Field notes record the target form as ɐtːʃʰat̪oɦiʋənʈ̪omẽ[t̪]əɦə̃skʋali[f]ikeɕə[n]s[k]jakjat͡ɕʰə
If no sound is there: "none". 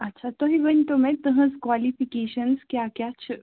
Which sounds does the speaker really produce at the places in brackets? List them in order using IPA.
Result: t̪, f, n, k

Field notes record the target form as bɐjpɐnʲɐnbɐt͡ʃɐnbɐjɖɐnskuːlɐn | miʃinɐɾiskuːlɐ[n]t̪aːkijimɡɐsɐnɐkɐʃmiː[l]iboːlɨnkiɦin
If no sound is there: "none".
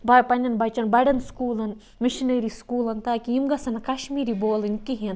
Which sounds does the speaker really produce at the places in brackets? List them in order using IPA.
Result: n, ɾ

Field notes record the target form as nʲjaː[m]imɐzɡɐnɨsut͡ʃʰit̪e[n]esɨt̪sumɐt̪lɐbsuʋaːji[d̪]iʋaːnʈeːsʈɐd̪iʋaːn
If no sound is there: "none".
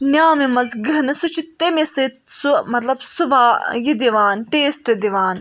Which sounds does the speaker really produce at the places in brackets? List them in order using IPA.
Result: m, m, d̪

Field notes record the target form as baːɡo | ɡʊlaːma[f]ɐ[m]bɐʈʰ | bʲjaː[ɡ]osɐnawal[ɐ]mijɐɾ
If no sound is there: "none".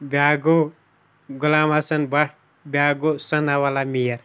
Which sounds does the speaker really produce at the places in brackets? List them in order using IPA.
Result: s, n, ɡ, a

